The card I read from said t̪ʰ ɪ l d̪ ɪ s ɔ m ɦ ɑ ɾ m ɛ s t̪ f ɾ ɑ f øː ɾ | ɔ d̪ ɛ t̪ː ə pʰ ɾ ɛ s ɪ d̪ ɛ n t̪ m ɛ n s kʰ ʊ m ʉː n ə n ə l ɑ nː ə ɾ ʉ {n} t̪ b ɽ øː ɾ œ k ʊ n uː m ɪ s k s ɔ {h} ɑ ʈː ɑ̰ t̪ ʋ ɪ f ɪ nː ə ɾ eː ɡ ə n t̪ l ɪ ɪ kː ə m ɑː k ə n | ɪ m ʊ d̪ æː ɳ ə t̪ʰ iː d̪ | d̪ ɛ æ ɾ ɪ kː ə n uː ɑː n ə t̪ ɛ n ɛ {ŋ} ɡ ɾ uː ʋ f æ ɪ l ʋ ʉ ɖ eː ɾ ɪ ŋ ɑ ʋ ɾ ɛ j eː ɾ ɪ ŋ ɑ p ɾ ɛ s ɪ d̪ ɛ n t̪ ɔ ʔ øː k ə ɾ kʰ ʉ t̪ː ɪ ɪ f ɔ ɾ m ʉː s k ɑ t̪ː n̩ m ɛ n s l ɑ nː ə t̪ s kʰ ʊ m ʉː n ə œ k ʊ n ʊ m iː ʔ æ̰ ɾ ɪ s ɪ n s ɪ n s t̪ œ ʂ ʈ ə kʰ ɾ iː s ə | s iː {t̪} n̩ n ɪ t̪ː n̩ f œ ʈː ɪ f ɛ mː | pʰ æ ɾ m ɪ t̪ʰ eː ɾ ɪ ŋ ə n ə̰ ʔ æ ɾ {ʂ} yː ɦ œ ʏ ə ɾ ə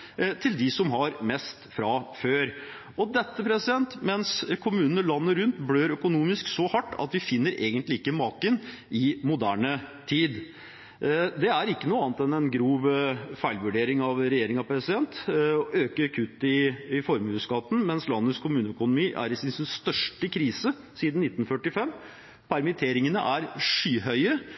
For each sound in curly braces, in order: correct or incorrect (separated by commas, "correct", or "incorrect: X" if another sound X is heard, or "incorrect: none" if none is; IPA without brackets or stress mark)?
correct, correct, incorrect: n, incorrect: d̪, correct